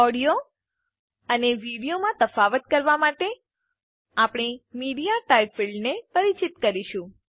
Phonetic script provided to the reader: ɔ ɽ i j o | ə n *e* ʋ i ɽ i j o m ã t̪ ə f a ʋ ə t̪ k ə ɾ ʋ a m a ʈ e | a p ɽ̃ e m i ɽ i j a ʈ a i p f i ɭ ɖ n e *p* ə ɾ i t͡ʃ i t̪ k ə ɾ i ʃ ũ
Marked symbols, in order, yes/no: yes, yes

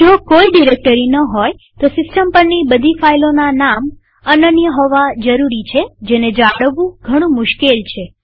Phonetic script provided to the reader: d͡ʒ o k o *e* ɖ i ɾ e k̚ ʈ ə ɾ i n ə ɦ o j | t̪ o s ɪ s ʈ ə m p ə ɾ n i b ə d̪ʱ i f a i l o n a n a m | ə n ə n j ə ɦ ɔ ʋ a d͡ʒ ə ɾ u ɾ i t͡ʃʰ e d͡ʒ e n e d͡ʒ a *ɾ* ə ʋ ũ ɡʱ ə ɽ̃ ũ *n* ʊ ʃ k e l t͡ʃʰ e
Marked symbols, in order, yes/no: no, no, no

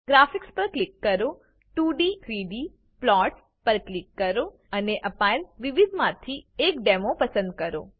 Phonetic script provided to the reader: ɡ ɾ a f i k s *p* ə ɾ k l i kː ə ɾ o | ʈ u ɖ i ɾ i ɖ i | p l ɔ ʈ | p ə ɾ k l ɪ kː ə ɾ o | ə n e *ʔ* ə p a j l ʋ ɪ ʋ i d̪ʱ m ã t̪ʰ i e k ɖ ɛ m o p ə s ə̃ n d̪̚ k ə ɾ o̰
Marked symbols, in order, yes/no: yes, yes

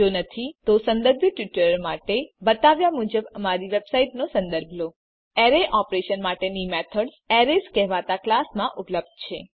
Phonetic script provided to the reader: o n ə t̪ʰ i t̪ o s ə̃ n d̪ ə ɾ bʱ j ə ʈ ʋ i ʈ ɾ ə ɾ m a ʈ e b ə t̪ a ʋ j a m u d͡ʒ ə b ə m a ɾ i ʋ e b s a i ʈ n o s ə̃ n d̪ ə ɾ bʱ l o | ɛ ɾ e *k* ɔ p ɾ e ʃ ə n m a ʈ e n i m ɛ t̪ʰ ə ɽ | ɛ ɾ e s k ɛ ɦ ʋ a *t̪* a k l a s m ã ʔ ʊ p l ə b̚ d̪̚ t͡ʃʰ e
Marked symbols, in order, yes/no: no, yes

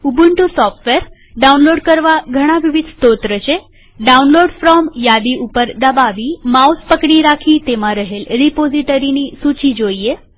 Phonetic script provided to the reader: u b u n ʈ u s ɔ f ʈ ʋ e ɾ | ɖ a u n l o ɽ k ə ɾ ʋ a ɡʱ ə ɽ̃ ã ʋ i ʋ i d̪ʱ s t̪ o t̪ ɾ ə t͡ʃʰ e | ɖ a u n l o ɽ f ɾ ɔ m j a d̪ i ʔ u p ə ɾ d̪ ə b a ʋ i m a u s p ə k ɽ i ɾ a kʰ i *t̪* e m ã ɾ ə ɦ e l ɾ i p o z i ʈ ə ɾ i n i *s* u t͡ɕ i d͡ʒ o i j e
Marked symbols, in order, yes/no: yes, yes

